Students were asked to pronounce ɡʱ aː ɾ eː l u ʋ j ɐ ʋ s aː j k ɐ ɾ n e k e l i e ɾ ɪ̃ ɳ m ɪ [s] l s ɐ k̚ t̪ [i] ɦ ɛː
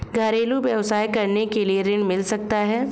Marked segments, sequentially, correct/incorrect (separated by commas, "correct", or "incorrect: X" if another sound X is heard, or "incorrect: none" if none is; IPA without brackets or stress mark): incorrect: none, incorrect: a